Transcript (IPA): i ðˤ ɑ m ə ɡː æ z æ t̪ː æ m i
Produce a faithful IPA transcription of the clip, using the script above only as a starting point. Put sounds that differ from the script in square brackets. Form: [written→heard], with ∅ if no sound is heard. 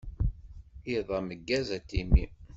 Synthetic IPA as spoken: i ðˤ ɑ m ə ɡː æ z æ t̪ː [æ→i] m i